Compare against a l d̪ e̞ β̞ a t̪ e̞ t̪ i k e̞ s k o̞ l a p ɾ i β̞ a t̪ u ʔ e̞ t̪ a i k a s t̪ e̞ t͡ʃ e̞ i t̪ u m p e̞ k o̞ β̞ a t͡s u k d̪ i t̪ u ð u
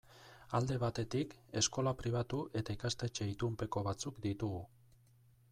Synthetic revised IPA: a l d̪ e̞ β̞ a t̪ e̞ t̪ i k e̞ s k o̞ l a p ɾ i β̞ a t̪ u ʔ e̞ t̪ a i k a s t̪ e̞ t͡ʃ e̞ i t̪ u m p e̞ k o̞ β̞ a t͡s u k d̪ i t̪ u ɣ u